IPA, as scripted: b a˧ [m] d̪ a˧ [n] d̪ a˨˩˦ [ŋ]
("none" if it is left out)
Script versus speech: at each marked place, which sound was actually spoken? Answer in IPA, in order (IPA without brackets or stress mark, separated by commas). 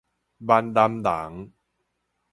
n, m, ŋ